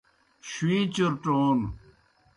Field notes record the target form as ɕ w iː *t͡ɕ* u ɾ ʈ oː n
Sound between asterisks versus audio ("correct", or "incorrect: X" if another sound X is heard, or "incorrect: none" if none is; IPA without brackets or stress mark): correct